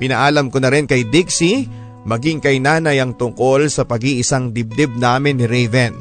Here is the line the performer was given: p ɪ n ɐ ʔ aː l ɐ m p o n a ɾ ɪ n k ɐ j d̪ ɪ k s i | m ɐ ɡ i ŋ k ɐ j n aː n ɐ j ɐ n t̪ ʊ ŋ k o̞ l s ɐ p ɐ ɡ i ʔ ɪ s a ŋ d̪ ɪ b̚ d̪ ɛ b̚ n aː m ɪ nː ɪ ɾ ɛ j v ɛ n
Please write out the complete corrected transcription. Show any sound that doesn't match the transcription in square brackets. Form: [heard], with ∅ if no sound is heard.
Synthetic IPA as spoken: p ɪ n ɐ ʔ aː l ɐ m [k] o n [ɐ] ɾ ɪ n k ɐ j d̪ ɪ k s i | m ɐ ɡ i ŋ k ɐ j n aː n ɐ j ɐ [ŋ] t̪ ʊ ŋ k o̞ l s ɐ p ɐ ɡ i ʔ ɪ s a ŋ d̪ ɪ b̚ d̪ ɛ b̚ n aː m ɪ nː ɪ ɾ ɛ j v ɛ n